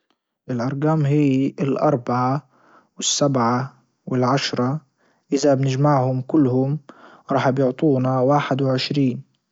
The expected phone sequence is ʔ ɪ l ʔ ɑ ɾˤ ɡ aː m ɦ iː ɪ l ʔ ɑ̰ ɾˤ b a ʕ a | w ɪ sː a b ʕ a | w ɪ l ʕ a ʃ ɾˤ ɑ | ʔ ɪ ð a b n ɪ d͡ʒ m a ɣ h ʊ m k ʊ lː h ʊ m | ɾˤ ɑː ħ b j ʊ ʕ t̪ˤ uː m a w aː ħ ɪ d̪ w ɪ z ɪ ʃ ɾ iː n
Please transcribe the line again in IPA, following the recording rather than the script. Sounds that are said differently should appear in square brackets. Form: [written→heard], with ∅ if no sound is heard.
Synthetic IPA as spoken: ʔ ɪ l ʔ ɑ ɾˤ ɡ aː m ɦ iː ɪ l ʔ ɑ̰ ɾˤ b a ʕ a | w ɪ sː a b ʕ a | w ɪ l ʕ a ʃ ɾˤ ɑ | ʔ ɪ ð a b n ɪ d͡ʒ m a [ɣ→ʕ] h ʊ m k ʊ lː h ʊ m | ɾˤ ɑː ħ b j ʊ ʕ t̪ˤ uː [m→n] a w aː ħ ɪ d̪ w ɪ [z→ʕ] ɪ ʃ ɾ iː n